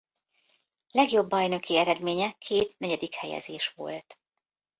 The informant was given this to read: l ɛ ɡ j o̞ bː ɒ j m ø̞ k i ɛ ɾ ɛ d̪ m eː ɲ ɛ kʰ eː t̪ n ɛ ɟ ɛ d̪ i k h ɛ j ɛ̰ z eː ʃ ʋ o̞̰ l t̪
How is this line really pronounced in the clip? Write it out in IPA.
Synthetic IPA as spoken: l ɛ ɡ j o̞ bː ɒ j n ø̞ k i ɛ ɾ ɛ d̪ m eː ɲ ɛ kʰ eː t̪ n ɛ ɟ ɛ d̪ i k h ɛ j ɛ̰ z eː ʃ ʋ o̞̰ l t̪